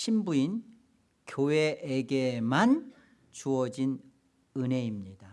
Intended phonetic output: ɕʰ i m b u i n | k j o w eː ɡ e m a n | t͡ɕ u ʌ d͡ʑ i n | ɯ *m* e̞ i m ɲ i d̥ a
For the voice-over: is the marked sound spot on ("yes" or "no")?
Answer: no